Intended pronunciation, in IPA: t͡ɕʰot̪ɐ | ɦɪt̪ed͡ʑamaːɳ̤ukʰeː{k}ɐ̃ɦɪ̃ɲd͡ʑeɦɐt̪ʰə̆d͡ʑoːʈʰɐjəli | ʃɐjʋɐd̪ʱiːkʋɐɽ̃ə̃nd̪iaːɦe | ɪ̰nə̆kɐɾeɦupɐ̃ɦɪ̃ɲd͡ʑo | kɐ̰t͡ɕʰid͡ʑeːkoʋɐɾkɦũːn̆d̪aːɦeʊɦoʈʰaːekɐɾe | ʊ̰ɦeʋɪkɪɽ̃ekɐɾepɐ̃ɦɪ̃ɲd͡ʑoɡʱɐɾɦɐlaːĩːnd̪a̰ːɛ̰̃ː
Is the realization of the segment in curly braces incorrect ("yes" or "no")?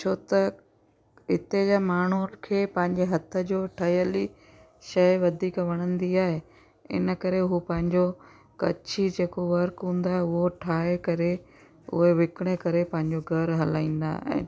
yes